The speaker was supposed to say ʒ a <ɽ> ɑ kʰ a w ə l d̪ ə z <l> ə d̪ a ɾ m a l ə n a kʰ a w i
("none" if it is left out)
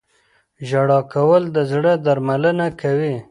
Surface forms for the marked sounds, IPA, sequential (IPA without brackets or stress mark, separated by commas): ɽ, ɽ